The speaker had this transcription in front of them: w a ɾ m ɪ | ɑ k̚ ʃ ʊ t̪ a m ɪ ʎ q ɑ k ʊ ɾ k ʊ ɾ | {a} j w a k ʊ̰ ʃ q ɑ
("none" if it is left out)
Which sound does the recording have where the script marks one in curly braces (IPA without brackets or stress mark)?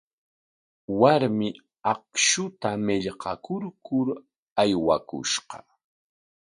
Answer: a